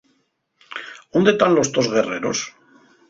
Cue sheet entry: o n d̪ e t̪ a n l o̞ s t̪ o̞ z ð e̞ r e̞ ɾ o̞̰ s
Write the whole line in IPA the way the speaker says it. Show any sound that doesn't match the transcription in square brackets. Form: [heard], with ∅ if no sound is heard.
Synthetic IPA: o n d̪ e t̪ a n l o̞ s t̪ o̞ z [ɣ] e̞ r e̞ ɾ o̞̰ s